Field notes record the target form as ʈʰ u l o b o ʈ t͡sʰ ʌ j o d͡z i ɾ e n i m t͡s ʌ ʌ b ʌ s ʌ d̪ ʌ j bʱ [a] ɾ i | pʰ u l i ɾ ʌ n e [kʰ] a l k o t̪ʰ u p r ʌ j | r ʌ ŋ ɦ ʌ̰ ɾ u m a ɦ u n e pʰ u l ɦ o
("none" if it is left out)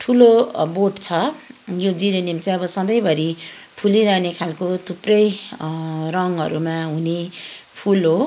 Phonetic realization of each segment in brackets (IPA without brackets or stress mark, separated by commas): ʌ, kʰ